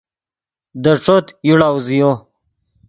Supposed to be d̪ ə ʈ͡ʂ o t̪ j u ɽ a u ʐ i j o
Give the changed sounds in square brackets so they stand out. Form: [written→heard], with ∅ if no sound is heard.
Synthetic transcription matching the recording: d̪ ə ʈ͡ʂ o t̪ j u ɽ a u [ʐ→z] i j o